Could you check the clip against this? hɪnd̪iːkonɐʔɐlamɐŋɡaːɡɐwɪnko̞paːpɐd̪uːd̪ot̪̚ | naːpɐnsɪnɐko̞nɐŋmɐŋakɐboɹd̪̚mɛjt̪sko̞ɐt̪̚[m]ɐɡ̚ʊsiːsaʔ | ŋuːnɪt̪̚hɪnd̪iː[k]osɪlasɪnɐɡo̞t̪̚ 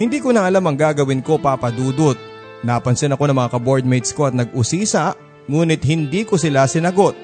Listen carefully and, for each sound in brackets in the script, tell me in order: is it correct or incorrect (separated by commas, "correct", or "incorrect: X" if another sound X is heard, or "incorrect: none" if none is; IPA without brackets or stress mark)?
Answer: incorrect: n, correct